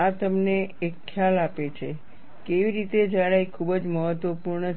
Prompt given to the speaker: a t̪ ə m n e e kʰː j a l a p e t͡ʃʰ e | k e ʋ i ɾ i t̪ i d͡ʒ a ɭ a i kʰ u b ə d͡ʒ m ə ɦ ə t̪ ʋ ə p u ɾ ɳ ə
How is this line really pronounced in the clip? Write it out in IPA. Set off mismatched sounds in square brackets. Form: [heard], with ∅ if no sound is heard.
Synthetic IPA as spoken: a t̪ ə m n e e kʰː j a l a p e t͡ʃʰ e | k e ʋ i ɾ i t̪ [e] d͡ʒ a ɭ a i kʰ u b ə d͡ʒ m ə ɦ ə t̪ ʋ ə p u ɾ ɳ ə